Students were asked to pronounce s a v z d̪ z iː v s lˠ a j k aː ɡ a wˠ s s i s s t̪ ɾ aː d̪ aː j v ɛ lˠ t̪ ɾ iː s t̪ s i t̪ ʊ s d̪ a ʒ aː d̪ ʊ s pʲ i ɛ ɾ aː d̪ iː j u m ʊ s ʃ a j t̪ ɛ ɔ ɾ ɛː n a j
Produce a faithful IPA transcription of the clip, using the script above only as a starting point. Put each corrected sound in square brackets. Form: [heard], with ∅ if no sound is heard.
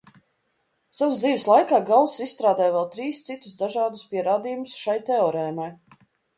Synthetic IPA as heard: s a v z d̪ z iː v s lˠ a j k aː ɡ a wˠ s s i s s t̪ ɾ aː d̪ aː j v ɛ lˠ t̪ ɾ iː s t̪ s i t̪ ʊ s d̪ a ʒ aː d̪ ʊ s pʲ i ɛ ɾ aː d̪ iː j u m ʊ s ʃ a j t̪ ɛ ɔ ɾ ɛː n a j